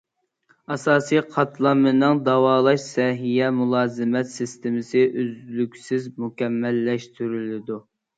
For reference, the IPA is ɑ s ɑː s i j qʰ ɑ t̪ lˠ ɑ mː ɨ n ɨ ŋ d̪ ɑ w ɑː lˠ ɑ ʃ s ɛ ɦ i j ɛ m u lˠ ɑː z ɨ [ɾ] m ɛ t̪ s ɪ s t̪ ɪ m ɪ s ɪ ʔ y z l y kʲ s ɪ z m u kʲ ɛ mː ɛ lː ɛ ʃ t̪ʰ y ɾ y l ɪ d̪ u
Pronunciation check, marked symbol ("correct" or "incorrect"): incorrect